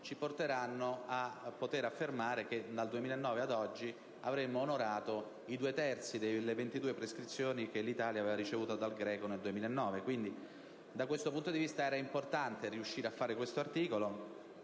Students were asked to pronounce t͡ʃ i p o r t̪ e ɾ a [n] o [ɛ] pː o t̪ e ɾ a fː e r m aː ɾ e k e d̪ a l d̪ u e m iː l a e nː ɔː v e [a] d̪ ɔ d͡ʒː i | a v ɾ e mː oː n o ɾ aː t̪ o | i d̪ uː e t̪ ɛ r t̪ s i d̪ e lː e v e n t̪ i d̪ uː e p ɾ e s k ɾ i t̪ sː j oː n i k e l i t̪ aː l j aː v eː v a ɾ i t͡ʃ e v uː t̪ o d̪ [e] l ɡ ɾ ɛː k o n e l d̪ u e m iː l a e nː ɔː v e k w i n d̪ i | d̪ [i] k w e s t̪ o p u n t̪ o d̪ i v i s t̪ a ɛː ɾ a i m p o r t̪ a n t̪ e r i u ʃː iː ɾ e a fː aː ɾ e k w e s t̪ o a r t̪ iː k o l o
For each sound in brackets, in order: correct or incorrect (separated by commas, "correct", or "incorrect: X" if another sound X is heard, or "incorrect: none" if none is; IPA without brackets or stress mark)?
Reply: incorrect: nː, incorrect: a, correct, incorrect: a, incorrect: a